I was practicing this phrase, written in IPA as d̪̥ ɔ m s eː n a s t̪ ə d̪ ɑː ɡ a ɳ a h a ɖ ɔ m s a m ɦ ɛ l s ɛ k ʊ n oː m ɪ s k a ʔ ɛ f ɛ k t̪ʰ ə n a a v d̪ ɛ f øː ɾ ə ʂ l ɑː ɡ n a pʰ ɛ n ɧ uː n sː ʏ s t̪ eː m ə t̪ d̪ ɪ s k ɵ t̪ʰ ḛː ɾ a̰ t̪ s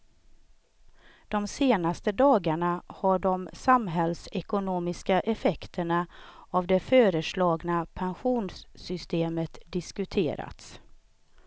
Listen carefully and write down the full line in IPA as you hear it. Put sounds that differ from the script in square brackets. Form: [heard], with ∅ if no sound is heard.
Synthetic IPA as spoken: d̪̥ ɔ m s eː n a s t̪ ə d̪ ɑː ɡ a ɳ a h a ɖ ɔ m s a m ɦ ɛ l s ɛ k ʊ n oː m ɪ s k a ʔ ɛ f ɛ k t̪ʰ ə [ɳ] a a v d̪ ɛ f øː ɾ ə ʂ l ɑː ɡ n a pʰ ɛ n ɧ uː n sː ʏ s t̪ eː m ə t̪ d̪ ɪ s k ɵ t̪ʰ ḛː ɾ a̰ t̪ s